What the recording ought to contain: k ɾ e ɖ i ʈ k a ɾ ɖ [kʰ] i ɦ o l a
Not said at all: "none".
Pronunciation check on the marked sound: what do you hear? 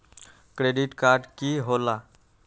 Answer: k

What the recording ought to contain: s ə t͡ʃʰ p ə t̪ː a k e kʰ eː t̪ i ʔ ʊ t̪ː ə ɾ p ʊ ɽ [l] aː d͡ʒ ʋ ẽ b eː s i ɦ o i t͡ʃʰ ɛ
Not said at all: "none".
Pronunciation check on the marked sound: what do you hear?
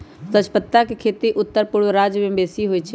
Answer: ɾ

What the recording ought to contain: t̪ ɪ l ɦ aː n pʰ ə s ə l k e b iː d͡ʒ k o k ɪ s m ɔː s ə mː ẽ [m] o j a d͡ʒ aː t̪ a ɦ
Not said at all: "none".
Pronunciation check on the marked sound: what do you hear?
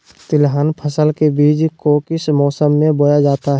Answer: b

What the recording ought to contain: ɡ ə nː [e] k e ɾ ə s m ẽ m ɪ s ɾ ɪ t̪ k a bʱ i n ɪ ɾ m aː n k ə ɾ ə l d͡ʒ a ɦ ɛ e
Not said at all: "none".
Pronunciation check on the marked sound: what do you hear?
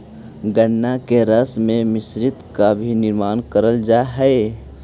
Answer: a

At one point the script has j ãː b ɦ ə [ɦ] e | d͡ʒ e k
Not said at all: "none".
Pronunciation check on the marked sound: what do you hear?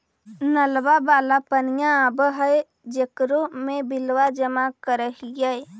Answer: none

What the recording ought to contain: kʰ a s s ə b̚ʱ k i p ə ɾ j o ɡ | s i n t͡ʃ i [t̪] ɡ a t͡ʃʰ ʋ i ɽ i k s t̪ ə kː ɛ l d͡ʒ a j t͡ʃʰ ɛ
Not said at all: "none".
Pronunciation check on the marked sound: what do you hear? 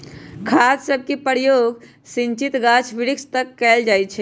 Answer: t̪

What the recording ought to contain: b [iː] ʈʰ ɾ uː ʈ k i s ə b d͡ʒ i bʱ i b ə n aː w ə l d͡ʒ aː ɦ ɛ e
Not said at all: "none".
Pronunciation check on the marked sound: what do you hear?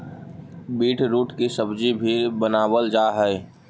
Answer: iː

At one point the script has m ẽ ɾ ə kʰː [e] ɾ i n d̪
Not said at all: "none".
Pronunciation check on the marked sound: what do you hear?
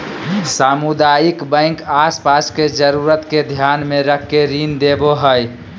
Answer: e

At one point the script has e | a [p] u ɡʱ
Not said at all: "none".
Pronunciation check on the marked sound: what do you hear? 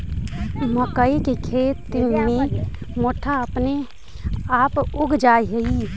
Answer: p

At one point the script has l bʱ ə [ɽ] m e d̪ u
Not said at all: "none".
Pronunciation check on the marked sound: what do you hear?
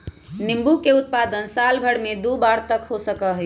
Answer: ɽ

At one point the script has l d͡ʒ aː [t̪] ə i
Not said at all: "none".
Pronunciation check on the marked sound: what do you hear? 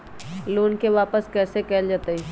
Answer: t̪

